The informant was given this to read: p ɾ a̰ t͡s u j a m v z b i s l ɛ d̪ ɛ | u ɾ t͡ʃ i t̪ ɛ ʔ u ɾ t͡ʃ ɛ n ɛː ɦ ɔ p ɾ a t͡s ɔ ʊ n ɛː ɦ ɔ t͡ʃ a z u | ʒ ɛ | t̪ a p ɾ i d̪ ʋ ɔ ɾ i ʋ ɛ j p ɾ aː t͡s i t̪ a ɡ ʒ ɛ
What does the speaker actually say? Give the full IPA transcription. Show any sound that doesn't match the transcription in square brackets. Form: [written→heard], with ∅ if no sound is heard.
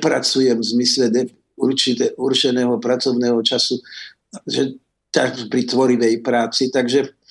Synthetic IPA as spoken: p ɾ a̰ t͡s u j [a→ɛ] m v z [b→m] i s l ɛ d̪ ɛ | u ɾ t͡ʃ i t̪ ɛ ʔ u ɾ t͡ʃ ɛ n ɛː ɦ ɔ p ɾ a t͡s ɔ ʊ n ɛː ɦ ɔ t͡ʃ a [z→s] u | ʒ ɛ | t̪ a p ɾ i [d̪→t̪] ʋ ɔ ɾ i ʋ ɛ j p ɾ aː t͡s i t̪ a ɡ ʒ ɛ